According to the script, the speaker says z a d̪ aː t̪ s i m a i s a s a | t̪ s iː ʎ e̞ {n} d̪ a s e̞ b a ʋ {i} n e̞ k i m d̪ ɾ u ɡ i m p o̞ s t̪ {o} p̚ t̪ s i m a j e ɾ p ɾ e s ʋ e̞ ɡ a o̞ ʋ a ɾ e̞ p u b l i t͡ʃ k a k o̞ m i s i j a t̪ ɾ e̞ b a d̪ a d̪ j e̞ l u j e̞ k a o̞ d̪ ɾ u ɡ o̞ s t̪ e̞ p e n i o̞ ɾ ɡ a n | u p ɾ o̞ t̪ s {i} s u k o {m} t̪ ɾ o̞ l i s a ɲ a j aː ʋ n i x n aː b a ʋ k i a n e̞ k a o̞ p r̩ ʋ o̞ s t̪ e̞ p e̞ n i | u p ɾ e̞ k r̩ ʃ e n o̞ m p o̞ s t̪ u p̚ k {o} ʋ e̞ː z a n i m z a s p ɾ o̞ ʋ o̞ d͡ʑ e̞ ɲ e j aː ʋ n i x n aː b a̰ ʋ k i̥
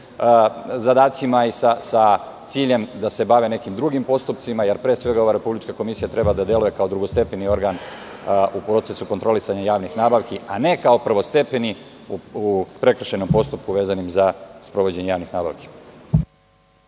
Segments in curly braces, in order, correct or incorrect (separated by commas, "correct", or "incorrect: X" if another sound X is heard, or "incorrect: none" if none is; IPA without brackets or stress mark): incorrect: m, incorrect: e, incorrect: u, incorrect: e, incorrect: n, incorrect: u